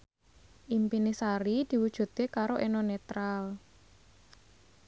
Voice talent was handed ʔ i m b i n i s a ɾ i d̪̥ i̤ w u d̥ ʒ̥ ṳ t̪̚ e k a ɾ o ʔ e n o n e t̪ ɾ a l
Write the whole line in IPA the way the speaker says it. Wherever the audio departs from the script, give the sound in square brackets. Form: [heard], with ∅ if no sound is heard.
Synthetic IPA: ʔ i m [p] i n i s a ɾ i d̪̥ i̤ w u d̥ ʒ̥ ṳ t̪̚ e k a ɾ o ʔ e n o n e t̪ ɾ a l